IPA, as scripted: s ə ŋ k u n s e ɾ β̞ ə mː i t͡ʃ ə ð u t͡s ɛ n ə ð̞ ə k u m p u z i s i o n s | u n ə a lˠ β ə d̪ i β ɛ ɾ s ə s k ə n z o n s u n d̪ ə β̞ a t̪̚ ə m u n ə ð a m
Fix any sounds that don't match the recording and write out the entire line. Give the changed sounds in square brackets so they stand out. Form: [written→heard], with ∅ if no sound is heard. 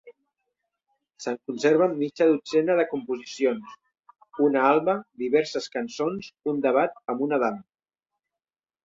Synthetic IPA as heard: s ə ŋ k u n s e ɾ β̞ ə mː i t͡ʃ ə ð u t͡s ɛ n ə ð̞ ə k u m p u z i s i o n s | u n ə a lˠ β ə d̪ i β ɛ ɾ s ə s k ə n [z→s] o n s u n d̪ ə β̞ a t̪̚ ə m u n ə ð a m